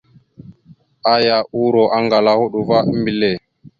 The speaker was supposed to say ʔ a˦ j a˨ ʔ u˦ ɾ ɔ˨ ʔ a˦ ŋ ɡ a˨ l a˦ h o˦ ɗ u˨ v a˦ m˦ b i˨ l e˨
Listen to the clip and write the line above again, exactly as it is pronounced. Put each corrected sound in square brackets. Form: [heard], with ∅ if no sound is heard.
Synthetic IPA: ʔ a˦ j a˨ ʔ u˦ ɾ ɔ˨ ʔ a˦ ŋ ɡ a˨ l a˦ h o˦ ɗ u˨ v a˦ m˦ b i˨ l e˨